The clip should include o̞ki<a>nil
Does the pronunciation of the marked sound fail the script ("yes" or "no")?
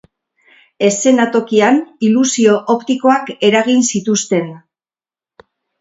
no